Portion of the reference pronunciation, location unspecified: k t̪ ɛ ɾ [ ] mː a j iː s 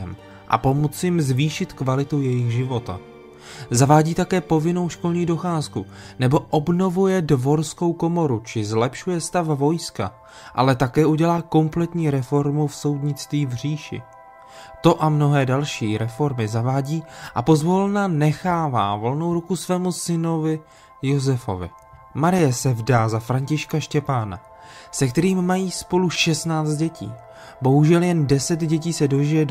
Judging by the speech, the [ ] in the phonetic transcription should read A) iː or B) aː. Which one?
A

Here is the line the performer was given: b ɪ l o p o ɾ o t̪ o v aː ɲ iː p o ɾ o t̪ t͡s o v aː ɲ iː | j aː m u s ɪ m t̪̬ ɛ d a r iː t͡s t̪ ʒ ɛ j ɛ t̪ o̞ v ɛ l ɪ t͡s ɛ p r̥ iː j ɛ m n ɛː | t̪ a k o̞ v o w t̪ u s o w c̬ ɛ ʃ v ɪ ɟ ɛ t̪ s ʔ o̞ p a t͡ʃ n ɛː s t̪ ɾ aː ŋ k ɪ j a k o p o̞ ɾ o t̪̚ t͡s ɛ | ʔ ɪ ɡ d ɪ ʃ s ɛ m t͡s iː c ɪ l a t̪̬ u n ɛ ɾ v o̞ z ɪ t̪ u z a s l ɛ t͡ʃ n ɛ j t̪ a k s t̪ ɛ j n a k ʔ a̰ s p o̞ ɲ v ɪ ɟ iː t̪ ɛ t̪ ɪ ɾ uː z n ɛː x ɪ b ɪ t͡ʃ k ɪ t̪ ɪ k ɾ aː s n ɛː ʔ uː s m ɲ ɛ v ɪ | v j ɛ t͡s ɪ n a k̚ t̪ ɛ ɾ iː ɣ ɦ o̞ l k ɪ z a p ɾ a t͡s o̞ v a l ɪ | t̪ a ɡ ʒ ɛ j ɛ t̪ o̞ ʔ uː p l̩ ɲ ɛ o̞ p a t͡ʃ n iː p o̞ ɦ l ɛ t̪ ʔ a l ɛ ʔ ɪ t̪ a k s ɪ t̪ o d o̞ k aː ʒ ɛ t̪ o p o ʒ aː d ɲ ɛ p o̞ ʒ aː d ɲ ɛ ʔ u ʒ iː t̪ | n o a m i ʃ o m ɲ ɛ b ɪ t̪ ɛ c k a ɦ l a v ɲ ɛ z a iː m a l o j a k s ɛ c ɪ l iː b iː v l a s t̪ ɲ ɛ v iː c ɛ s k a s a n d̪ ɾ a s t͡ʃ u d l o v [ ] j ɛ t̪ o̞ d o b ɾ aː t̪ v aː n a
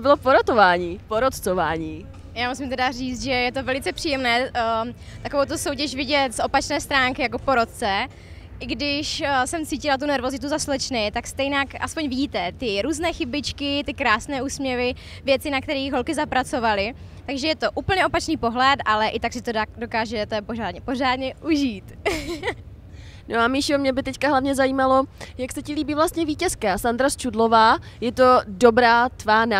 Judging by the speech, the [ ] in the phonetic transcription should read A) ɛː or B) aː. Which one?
B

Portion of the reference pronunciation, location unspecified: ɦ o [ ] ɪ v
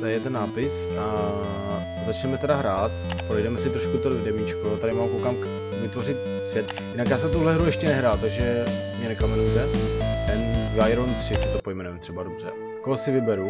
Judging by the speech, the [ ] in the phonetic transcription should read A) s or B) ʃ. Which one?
A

